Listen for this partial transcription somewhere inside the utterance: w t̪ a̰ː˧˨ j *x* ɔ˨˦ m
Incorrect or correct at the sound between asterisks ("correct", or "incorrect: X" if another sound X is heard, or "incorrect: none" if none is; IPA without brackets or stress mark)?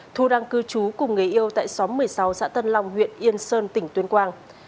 incorrect: s